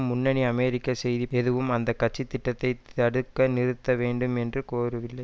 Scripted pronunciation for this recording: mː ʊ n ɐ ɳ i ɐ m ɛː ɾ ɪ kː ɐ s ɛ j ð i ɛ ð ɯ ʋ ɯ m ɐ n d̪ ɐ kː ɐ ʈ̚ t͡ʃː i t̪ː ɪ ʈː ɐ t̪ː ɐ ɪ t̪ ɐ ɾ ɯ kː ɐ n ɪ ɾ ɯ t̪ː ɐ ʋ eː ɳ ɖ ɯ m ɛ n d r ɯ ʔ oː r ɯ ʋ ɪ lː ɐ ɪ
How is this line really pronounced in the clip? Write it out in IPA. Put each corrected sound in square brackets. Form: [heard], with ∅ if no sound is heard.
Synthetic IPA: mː ʊ [nː] ɐ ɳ i ɐ m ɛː ɾ ɪ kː ɐ s ɛ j ð i ɛ ð ɯ ʋ ɯ m ɐ n d̪ ɐ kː ɐ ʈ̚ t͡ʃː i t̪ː ɪ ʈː ɐ t̪ː ɐ ɪ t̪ ɐ [ɽ] ɯ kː ɐ n ɪ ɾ ɯ t̪ː ɐ ʋ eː ɳ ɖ ɯ m ɛ n d r ɯ [k] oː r ɯ ʋ ɪ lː ɐ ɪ